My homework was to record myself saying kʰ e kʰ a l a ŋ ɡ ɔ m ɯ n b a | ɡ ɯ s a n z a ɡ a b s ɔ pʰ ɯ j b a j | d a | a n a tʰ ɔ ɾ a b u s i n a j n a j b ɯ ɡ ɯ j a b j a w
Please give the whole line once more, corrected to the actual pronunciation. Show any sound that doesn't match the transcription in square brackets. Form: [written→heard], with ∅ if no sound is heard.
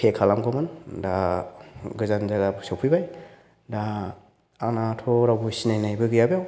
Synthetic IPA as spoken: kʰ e kʰ a l a [ŋ→m] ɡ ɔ m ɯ n [b→d] a | ɡ ɯ [s→z] a n z a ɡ a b s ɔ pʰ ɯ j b a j | d a | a n a tʰ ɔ ɾ a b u s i n a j n a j b ɯ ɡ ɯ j a b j a w

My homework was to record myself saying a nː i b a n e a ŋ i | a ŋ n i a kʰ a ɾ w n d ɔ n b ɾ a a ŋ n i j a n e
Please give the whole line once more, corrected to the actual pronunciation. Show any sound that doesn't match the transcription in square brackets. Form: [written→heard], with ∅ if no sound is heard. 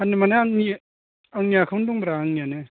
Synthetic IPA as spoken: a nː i [b→m] a n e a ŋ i | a ŋ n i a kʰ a [ɾ→∅] w n d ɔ [n→ŋ] b ɾ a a ŋ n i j a n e

